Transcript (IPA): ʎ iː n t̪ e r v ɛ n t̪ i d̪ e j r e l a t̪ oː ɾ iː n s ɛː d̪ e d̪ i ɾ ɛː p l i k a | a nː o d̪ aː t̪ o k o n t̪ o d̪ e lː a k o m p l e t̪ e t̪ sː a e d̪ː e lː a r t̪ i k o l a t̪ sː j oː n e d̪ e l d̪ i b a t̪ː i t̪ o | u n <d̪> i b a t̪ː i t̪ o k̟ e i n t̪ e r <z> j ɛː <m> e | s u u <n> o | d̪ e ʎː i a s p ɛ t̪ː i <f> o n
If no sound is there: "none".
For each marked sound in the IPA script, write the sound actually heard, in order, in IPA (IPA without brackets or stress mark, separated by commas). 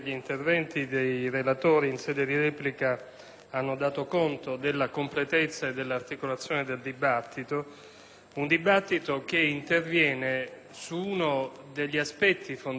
d̪, v, n, n, f